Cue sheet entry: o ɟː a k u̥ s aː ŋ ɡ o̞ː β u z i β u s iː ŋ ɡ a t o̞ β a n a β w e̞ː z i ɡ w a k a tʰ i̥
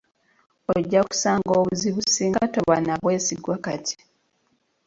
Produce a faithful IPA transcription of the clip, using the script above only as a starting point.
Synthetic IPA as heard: o ɟː a k u̥ s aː ŋ ɡ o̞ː β u z i β u s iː ŋ ɡ a t o̞ β a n a β w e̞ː s i ɡ w a k a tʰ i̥

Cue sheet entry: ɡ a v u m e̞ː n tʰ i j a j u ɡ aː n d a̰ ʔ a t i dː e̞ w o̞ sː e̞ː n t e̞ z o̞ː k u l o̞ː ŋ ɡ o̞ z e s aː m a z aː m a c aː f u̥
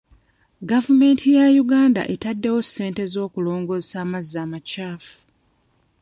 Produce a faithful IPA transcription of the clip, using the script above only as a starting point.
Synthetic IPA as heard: ɡ a v u m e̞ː n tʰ i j a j u ɡ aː n d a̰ ʔ e t a dː e̞ w o̞ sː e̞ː n t e̞ z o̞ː k u l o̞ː ŋ ɡ o̞ z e s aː m a z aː m a c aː f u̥

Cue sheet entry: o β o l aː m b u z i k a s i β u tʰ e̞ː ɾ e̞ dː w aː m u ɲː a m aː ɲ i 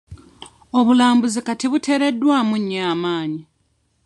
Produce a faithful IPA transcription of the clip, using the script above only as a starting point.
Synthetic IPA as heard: o β u l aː m b u z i k a t i β u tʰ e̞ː ɾ e̞ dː w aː m u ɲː a m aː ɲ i

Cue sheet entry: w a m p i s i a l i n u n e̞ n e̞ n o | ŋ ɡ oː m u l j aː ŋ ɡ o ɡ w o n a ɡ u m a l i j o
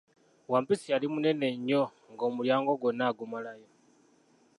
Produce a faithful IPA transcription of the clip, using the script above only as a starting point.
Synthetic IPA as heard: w a m p i s i a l i m u n e̞ n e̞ ɲ o | ŋ ɡ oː m u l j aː ŋ ɡ o ɡ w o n a ɡ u m a l a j o

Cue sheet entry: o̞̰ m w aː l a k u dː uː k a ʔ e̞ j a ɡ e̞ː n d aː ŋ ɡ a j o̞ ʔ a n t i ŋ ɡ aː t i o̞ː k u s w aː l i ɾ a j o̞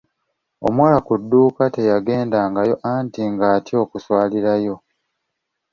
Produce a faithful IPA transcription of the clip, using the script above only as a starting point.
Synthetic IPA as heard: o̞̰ m w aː l a k u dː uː k a t e̞ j a ɡ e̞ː n d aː ŋ ɡ a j o̞ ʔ a n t i ŋ ɡ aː t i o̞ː k u s w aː l i ɾ a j o̞

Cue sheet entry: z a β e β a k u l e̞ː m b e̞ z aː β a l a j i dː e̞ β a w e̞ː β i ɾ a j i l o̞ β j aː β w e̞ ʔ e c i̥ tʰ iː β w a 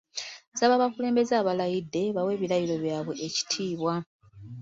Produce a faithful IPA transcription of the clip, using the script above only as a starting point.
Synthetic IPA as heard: z a β a β a k u l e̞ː m b e̞ z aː β a l a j i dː e̞ β a w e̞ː β i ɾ a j i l o̞ β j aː β w e̞ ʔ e c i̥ tʰ iː β w a

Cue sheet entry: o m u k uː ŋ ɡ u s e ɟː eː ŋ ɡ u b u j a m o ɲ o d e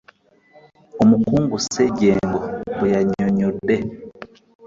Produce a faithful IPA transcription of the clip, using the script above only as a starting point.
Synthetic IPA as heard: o m u k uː ŋ ɡ u s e ɟ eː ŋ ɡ o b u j a ɲ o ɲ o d e

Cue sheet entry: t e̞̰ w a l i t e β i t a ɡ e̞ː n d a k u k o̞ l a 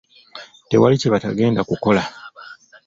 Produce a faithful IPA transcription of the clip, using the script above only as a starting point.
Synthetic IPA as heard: t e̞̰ w a l i c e β a t a ɡ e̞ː n d a k u k o̞ l a

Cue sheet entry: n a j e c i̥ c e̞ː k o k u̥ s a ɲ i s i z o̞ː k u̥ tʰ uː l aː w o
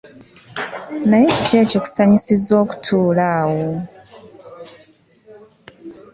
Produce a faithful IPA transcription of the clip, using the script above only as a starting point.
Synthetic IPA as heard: n a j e c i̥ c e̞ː c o k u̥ s a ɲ i s i z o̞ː k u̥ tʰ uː l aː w o

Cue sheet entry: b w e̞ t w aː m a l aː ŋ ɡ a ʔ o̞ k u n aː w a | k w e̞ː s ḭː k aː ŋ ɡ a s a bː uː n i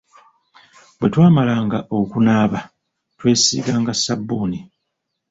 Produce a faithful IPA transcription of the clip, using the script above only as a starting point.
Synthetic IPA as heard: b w e̞ t w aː m a l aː ŋ ɡ a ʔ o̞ k u n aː β a | t w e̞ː s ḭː ɡ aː ŋ ɡ a s a bː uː n i

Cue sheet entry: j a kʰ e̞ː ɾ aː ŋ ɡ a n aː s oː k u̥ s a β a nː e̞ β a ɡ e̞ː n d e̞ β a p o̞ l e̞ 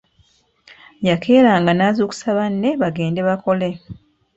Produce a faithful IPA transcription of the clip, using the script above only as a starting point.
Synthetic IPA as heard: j a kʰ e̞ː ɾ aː ŋ ɡ a n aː z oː k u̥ s a β a nː e̞ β a ɡ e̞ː n d e̞ β a k o̞ l e̞

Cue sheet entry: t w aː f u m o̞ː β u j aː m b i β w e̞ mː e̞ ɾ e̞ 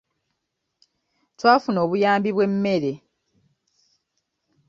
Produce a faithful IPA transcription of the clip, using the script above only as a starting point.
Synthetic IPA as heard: t w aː f u n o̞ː β u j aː m b i β w e̞ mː e̞ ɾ e̞

